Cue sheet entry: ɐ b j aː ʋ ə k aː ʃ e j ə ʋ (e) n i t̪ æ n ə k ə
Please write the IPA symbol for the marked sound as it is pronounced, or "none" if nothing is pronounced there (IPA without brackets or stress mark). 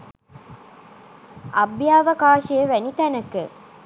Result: æ